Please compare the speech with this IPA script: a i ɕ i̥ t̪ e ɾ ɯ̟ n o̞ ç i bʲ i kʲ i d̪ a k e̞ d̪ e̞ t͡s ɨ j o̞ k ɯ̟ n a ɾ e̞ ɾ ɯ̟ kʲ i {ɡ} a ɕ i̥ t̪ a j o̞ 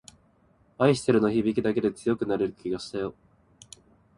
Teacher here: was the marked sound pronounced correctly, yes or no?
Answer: yes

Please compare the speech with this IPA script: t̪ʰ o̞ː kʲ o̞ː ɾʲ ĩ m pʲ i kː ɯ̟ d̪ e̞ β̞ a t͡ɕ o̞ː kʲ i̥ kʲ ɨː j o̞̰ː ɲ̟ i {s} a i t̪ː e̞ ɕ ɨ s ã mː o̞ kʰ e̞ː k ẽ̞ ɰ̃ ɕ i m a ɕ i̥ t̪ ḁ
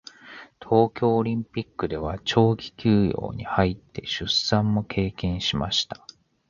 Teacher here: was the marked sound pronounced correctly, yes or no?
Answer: no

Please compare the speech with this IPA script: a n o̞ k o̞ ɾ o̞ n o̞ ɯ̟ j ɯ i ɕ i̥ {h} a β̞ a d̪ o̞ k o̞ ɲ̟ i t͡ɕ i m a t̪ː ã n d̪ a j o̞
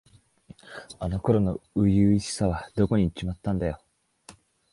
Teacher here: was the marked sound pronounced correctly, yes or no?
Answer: no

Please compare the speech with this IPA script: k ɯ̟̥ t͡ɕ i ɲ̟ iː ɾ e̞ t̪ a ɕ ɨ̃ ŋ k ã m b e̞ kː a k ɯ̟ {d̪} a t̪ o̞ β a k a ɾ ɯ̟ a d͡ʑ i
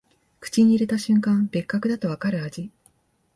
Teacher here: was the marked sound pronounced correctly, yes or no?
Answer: yes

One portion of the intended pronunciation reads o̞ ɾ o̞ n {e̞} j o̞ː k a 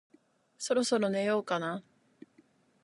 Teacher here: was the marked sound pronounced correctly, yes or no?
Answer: yes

